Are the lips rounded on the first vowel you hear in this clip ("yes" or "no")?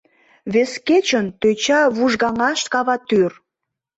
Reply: no